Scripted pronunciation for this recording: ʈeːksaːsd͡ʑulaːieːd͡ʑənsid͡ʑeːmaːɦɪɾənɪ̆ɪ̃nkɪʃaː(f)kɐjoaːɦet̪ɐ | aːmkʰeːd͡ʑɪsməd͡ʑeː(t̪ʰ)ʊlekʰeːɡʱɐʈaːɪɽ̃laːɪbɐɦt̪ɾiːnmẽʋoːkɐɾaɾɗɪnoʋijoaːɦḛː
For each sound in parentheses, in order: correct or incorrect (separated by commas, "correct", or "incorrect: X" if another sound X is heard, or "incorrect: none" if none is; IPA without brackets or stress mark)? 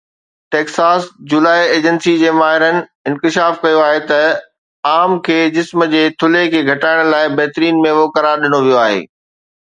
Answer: correct, correct